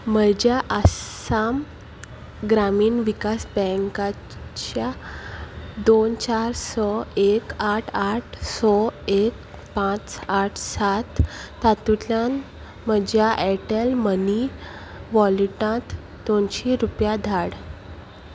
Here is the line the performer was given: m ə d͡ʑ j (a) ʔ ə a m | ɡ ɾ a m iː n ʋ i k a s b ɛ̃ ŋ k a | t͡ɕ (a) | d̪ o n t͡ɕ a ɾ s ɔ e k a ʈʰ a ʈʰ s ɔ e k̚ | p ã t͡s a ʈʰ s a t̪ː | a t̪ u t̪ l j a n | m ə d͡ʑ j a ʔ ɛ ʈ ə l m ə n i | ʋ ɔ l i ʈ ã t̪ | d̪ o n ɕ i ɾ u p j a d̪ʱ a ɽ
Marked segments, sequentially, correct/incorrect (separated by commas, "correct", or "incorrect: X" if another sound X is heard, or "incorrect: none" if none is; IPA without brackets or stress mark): correct, correct